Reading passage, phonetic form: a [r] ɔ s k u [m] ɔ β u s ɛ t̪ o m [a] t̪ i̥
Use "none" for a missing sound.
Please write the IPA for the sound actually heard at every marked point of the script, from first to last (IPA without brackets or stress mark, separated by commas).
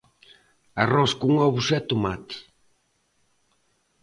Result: r, ŋ, a